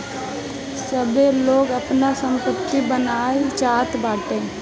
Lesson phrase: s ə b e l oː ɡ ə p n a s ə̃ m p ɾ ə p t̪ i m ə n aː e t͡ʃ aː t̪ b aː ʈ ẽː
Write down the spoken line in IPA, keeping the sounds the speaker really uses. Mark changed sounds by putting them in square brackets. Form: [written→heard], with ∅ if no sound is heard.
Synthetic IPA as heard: s ə b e l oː ɡ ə p n a s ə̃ m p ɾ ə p t̪ i [m→b] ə n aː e t͡ʃ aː t̪ b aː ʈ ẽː